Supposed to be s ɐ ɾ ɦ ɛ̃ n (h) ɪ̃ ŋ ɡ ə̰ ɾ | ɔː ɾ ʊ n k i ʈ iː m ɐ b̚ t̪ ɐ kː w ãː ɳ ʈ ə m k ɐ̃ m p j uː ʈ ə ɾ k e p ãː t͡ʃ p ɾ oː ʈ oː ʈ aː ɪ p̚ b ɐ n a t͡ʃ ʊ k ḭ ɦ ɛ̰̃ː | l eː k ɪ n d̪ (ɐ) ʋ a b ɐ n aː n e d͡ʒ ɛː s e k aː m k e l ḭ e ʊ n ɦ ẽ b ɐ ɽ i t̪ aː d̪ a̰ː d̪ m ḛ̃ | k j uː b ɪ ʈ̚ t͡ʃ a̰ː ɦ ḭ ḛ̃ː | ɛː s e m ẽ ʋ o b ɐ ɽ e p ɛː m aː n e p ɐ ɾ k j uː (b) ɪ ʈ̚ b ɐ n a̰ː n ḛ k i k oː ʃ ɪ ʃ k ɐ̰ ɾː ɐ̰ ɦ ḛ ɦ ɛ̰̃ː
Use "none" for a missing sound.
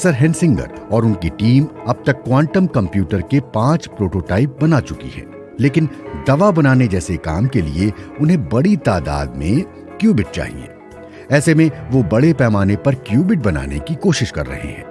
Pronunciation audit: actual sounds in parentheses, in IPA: s, ɐ, b

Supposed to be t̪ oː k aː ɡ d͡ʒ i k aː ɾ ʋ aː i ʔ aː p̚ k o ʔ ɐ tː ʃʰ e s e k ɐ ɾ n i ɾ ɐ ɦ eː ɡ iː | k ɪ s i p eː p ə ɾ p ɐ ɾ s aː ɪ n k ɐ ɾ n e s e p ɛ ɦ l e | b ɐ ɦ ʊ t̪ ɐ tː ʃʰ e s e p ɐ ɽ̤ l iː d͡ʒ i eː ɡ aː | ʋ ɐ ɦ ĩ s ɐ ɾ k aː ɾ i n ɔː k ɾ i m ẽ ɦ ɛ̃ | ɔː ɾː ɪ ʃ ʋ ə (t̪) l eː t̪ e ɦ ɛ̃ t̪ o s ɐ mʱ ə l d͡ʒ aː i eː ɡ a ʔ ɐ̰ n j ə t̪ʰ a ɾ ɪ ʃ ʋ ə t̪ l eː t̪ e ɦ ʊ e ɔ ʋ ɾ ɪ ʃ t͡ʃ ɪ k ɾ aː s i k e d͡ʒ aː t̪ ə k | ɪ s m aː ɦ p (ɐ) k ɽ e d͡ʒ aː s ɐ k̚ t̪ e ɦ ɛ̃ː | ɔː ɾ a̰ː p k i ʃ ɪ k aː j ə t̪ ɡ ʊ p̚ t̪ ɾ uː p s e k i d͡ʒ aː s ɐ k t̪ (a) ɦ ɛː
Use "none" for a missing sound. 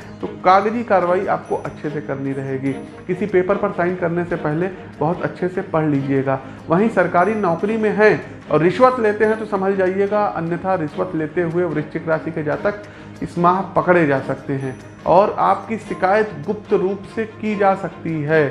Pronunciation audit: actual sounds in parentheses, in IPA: t̪, ɐ, i

